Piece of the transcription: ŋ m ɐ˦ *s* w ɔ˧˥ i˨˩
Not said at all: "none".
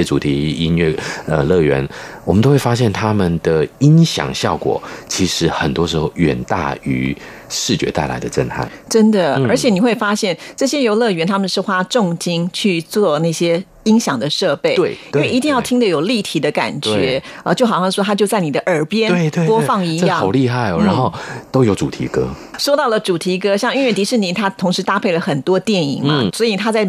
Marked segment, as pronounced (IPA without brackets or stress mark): s